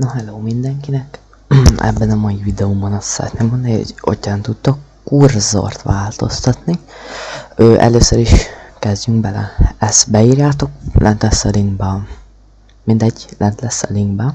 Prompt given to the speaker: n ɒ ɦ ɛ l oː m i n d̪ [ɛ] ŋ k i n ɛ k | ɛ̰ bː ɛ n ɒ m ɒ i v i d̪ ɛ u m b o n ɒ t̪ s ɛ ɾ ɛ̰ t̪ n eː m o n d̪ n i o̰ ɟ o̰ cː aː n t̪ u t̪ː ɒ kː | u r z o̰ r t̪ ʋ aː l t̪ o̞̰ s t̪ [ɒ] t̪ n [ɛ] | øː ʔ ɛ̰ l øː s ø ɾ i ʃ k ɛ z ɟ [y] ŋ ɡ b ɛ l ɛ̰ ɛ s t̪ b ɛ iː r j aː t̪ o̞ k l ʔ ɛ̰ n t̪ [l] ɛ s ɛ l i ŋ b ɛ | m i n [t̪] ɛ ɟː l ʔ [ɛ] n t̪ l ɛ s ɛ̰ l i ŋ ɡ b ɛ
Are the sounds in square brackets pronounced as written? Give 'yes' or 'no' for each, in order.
yes, yes, no, yes, yes, no, yes

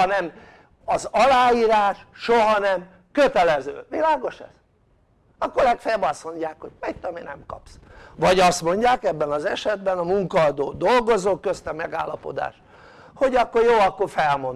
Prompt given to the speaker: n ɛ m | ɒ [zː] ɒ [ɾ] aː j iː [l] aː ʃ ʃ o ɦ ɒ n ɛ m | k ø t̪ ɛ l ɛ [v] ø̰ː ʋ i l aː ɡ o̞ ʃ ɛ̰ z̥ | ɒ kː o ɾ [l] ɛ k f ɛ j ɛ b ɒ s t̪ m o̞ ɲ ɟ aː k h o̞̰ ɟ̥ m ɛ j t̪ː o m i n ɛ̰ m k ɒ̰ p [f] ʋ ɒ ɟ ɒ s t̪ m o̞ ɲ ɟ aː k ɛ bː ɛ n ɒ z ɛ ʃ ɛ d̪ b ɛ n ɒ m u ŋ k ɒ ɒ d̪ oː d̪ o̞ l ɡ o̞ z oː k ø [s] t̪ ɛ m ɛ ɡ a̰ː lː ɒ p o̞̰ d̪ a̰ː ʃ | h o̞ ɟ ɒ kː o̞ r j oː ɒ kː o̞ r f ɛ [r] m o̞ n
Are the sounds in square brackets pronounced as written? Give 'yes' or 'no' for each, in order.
no, no, no, no, yes, no, yes, no

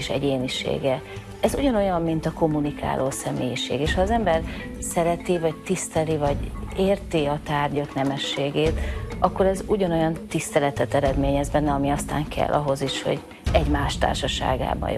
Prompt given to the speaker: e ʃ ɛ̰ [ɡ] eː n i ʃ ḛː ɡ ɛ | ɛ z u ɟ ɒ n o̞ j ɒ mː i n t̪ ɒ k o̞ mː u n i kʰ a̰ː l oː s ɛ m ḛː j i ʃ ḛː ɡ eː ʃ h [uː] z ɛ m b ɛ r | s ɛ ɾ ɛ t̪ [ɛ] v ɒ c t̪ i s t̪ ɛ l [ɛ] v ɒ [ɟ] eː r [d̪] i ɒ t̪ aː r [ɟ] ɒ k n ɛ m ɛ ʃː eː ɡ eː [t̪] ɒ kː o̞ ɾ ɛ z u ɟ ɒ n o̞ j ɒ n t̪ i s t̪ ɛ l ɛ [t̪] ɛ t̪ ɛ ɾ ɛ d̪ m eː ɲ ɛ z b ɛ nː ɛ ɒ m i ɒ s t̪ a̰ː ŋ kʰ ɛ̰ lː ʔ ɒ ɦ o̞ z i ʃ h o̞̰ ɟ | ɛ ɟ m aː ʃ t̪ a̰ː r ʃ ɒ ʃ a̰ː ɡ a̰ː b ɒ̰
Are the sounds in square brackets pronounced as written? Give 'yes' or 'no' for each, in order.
no, no, no, no, yes, no, yes, yes, yes

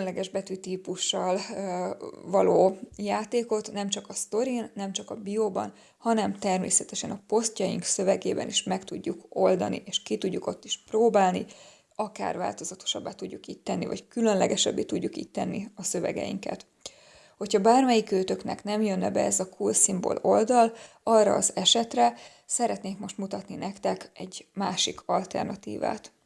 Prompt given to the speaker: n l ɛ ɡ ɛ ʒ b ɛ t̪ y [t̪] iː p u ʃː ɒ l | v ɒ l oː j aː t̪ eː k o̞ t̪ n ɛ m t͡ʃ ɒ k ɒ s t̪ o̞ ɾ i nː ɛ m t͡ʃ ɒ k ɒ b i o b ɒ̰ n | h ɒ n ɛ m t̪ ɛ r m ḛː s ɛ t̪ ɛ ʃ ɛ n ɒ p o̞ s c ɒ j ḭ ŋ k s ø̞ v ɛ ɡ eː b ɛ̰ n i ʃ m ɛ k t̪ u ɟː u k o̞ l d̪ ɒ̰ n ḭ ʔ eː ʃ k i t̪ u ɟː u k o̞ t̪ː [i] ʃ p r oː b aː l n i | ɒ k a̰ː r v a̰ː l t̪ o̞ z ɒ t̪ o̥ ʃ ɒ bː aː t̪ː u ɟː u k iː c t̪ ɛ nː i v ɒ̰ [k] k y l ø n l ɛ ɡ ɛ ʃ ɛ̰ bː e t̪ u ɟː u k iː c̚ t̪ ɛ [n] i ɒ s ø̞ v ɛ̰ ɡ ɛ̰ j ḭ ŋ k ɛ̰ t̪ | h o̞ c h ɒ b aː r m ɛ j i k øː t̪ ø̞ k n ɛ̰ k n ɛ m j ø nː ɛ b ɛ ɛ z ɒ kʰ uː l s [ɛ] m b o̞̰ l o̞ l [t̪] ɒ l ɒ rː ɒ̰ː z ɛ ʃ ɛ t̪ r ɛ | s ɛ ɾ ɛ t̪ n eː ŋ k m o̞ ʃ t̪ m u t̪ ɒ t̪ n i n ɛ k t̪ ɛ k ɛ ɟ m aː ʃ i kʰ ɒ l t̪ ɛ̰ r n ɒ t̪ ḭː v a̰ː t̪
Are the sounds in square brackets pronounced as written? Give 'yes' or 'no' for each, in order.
yes, yes, no, no, no, no

